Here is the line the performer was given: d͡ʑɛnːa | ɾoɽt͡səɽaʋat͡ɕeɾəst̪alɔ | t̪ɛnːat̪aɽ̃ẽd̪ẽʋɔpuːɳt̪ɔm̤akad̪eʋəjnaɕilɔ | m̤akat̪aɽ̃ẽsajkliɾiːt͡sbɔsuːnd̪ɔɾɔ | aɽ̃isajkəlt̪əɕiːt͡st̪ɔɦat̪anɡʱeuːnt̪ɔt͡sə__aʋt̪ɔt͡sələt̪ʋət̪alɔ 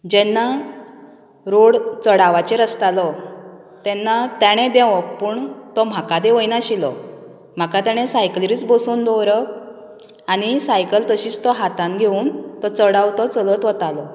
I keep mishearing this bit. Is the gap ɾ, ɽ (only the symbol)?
ɽ